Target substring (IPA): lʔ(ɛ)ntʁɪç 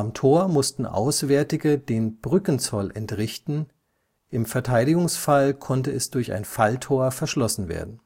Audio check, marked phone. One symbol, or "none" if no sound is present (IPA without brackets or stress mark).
ɛ